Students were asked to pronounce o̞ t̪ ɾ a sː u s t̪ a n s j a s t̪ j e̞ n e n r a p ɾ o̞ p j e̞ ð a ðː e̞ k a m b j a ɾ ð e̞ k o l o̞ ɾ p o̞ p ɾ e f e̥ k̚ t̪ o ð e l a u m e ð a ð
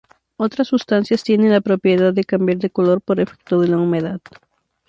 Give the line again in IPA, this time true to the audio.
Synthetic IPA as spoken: o̞ t̪ ɾ a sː u s t̪ a n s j a s t̪ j e̞ n e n l a p ɾ o̞ p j e̞ ð a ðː e̞ k a m b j a ɾ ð e̞ k o l o̞ ɾ p o̞ ɾ e f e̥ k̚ t̪ o ð e l a u m e ð a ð